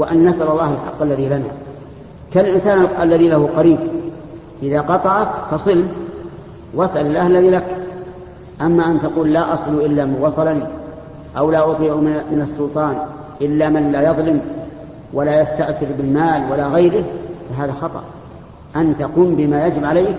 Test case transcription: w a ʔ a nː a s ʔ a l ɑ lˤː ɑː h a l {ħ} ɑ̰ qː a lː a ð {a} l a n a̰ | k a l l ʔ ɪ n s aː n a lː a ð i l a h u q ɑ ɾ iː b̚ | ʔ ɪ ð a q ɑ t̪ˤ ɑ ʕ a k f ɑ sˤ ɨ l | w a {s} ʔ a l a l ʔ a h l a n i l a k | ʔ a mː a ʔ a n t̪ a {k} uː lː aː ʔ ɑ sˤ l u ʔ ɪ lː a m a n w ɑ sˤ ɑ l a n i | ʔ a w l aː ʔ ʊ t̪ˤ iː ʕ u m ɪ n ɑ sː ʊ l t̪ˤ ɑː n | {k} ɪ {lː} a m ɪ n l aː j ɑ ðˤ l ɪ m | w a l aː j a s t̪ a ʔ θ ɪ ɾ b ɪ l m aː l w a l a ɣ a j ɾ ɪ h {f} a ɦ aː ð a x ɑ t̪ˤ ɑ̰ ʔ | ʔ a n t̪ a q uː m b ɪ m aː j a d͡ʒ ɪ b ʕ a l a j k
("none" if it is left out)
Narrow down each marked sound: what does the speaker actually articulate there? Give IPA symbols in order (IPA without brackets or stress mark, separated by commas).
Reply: ħ, i, s, q, ʔ, lː, f